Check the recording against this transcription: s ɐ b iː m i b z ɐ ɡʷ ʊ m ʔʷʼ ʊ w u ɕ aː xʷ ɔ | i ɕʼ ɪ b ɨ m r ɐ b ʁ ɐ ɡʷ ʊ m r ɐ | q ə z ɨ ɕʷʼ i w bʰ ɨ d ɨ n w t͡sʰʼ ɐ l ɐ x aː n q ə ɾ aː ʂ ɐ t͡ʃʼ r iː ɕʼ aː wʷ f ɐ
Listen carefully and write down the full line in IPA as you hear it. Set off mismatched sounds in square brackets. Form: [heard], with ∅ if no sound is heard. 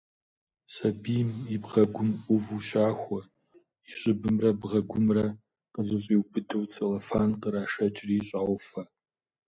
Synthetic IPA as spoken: s ɐ b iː m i b [ʁ] ɐ ɡʷ ʊ m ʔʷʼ ʊ [v] u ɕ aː xʷ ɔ | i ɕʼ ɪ b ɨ m r ɐ b ʁ ɐ ɡʷ ʊ m r ɐ | q ə z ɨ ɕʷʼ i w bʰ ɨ d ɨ [∅] w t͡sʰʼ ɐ l ɐ [f] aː n q ə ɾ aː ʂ ɐ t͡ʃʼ r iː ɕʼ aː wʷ f ɐ